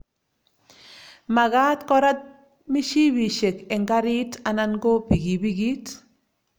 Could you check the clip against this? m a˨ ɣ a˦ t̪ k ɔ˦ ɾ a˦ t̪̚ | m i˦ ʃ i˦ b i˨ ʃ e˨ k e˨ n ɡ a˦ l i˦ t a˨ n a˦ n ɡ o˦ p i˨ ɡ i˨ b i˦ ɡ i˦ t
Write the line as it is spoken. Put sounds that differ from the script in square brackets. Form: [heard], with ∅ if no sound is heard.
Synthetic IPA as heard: m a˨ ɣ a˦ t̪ k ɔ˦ ɾ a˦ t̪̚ | m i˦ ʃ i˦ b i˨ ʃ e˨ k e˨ [ŋ] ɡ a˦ [ɾ] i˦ t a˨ n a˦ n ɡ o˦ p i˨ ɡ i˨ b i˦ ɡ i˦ t